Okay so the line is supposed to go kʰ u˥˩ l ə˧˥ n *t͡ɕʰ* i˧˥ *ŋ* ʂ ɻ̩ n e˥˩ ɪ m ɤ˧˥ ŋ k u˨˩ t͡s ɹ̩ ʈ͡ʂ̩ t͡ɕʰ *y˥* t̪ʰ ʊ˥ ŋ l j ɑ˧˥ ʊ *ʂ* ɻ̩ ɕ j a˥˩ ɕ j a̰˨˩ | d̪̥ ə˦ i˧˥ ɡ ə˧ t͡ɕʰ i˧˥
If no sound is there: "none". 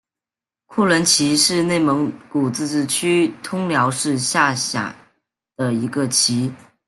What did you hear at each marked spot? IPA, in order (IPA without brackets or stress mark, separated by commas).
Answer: t͡ɕʰ, none, y˥, ʂ